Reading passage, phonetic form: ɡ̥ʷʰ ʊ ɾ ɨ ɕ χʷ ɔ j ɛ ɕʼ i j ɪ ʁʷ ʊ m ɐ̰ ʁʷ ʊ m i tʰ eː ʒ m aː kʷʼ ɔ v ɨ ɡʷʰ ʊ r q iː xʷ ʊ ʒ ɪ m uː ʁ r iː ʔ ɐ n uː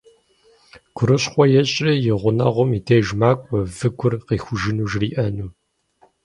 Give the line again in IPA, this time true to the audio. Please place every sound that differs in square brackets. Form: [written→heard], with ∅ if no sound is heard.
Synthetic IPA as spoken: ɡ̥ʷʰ ʊ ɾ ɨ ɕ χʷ ɔ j ɛ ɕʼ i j ɪ ʁʷ ʊ [m→n] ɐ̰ ʁʷ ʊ m i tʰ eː ʒ m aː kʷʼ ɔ v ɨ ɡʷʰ ʊ r q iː xʷ ʊ ʒ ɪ [m→n] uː [ʁ→ʒ] r iː ʔ ɐ n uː